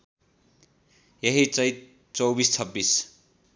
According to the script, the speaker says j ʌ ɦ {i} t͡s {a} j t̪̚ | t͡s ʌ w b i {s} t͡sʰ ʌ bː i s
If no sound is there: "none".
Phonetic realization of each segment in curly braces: i, ʌ, s

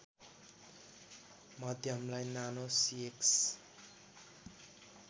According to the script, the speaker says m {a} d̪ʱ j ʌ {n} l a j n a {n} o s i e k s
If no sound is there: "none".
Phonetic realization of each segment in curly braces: ʌ, m, n

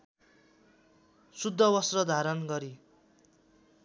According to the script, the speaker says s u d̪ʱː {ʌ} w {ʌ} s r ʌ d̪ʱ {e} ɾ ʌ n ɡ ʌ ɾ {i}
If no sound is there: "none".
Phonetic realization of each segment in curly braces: ʌ, ʌ, a, i

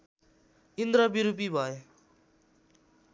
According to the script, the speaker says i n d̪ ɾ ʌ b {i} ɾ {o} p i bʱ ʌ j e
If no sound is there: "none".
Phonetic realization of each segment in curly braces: i, u

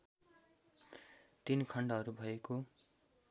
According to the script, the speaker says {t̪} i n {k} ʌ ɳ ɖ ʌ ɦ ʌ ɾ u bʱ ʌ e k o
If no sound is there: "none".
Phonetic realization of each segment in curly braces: t̪, kʰ

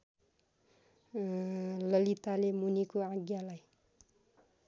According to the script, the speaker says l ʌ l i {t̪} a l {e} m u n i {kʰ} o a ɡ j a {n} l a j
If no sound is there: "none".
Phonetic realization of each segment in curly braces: t̪, e, k, none

